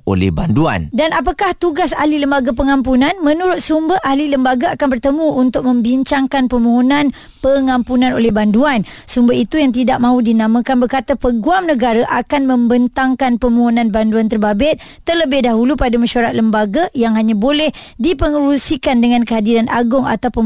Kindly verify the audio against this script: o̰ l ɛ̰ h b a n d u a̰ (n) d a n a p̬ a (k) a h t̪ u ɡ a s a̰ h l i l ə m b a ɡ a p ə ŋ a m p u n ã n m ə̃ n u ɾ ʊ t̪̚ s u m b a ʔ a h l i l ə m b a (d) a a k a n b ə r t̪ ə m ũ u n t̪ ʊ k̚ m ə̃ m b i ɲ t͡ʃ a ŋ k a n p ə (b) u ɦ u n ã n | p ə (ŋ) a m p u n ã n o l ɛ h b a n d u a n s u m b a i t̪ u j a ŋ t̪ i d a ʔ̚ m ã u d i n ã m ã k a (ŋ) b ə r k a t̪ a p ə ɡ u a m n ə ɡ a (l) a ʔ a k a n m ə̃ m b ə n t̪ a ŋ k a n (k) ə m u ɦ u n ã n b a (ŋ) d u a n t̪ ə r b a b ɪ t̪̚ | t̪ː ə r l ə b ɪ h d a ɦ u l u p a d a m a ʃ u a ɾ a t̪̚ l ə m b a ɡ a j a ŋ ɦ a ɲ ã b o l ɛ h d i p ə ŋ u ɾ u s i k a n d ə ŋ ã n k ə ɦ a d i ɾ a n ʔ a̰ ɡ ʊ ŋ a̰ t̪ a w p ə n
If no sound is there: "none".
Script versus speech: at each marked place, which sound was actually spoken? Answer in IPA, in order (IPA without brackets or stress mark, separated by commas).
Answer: n, k, ɡ, m, ŋ, n, ɾ, p, n